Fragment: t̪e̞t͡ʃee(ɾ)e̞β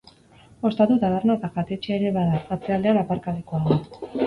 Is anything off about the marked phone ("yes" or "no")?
no